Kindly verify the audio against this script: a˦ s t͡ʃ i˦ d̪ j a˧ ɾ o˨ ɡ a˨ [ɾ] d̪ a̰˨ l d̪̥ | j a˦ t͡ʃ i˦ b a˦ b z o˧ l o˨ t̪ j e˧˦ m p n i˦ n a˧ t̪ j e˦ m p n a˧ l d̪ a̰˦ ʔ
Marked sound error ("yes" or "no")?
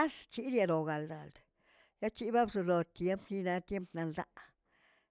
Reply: yes